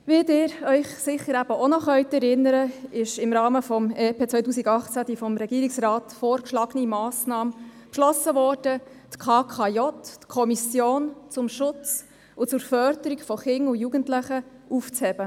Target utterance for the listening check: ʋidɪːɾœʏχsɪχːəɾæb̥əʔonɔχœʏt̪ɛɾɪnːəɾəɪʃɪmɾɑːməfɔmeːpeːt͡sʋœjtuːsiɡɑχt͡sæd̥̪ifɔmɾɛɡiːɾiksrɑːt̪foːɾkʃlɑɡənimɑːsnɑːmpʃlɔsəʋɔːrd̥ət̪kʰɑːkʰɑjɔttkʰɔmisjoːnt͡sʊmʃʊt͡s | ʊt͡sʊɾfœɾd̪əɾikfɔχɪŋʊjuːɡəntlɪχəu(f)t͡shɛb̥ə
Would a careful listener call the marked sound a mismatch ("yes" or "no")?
no